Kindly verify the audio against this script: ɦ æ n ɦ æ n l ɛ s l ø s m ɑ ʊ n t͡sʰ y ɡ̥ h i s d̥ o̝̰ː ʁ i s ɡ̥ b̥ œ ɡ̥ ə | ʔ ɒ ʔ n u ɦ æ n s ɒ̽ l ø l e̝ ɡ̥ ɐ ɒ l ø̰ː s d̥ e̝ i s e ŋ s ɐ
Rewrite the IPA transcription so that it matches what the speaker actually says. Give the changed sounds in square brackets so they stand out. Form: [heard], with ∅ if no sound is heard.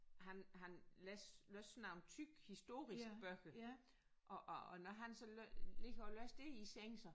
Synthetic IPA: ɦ æ n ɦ æ n l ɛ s l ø s [n] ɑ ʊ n t͡sʰ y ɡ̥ h i s d̥ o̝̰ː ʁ i s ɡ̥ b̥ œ ɡ̥ ə | ʔ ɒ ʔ n [ɒ] ɦ æ n s ɒ̽ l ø l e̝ ɡ̥ ɐ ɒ l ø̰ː s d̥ e̝ i s e ŋ s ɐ